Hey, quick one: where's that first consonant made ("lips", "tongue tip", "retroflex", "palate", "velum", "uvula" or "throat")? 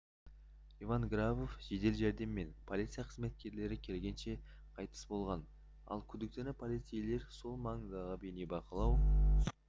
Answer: lips